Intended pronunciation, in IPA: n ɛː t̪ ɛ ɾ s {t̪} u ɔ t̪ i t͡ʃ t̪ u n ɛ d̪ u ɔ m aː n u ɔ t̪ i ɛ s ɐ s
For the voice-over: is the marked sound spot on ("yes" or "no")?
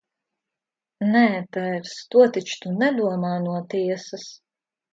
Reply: yes